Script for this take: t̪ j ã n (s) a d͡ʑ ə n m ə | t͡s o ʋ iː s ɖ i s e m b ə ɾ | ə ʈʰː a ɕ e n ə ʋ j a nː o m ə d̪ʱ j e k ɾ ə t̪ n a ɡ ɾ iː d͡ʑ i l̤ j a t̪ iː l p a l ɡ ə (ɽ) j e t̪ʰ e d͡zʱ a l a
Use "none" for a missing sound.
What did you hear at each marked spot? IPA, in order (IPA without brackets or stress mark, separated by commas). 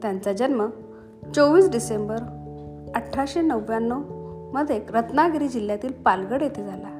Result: t͡s, ɽ